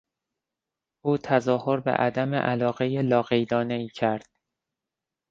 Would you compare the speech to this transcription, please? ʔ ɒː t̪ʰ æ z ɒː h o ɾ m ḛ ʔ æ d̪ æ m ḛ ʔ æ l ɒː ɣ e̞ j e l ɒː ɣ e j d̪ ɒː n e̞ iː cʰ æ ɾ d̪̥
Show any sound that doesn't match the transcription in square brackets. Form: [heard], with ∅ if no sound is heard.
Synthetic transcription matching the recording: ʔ [uː] t̪ʰ æ z ɒː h o ɾ [b] ḛ ʔ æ d̪ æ m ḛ ʔ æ l ɒː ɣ e̞ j e l ɒː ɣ e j d̪ ɒː n e̞ iː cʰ æ ɾ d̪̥